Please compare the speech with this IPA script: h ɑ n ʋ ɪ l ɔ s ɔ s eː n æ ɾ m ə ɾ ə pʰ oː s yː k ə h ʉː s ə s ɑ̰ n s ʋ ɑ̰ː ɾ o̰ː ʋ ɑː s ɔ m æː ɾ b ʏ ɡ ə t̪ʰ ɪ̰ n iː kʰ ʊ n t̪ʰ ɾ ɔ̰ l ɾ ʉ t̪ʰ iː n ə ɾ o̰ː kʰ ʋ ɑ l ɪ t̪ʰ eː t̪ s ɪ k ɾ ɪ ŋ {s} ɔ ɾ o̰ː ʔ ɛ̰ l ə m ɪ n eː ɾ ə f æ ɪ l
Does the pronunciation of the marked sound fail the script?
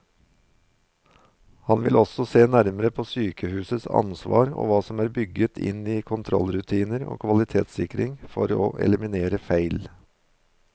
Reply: yes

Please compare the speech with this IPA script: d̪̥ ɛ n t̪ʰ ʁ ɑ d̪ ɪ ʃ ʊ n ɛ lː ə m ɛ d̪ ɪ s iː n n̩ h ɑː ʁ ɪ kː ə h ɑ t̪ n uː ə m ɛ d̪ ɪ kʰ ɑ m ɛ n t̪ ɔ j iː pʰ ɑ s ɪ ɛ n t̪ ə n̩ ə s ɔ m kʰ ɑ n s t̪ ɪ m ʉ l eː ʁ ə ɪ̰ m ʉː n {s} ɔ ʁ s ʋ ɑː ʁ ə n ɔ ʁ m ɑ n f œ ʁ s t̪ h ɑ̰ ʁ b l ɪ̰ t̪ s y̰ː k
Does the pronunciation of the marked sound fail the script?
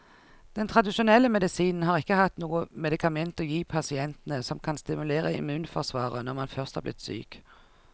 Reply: yes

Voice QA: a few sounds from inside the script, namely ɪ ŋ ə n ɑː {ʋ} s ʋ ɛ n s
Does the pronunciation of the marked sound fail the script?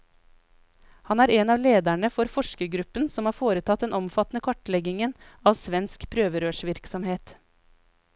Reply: no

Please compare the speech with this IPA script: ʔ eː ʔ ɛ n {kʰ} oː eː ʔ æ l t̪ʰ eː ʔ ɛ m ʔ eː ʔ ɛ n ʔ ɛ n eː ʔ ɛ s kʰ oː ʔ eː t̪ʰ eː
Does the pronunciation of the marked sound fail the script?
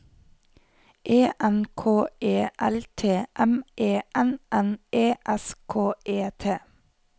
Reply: no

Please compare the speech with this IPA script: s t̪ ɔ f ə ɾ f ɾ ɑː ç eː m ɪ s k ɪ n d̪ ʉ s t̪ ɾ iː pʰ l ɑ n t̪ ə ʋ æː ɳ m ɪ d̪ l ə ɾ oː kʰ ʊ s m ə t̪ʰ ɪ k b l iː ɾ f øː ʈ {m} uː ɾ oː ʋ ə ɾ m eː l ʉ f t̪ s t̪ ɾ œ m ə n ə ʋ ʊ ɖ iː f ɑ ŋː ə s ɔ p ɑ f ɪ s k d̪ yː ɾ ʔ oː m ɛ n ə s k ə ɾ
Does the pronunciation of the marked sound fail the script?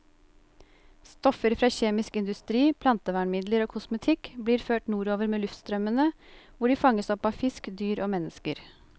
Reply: yes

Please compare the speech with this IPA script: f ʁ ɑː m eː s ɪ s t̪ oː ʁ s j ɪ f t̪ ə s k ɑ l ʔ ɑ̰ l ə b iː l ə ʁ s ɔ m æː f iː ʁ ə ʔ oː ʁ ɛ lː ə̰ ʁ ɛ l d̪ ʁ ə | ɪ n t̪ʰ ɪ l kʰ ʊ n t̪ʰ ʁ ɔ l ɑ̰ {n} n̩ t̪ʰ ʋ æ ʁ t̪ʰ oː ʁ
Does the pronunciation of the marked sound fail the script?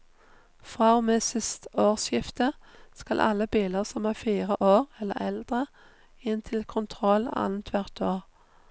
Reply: no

